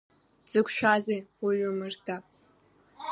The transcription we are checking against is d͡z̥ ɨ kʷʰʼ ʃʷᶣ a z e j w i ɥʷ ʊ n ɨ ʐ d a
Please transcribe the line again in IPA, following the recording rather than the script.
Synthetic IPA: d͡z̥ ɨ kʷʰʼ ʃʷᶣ a z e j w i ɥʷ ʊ m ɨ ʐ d a